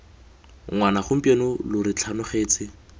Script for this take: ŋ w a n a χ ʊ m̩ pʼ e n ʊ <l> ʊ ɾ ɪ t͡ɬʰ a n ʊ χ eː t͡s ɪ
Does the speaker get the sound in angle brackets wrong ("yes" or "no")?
no